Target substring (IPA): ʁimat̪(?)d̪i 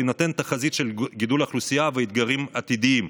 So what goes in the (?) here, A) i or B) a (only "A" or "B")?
A